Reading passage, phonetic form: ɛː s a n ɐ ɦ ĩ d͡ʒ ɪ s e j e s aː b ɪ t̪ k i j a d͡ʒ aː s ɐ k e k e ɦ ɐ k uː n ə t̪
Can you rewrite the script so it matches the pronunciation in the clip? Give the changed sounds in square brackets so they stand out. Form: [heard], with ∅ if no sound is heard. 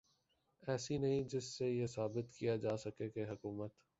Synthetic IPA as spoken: ɛː s [i] n ɐ ɦ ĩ d͡ʒ ɪ [sː] e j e s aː b ɪ t̪ k i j a d͡ʒ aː s ɐ k e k e ɦ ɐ k uː [m] ə t̪